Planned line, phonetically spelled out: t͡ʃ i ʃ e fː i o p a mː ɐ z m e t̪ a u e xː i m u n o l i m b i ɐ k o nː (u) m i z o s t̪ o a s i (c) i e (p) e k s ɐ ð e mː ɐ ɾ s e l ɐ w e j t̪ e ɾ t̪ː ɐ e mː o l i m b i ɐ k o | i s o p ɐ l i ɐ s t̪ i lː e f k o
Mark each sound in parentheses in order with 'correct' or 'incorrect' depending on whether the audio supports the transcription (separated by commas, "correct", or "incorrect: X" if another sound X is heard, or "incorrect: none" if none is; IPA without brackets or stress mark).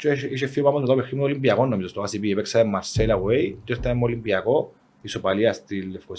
incorrect: o, incorrect: p, correct